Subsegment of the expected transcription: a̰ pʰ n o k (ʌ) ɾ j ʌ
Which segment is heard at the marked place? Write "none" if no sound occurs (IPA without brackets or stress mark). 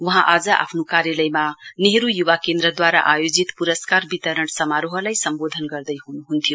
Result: a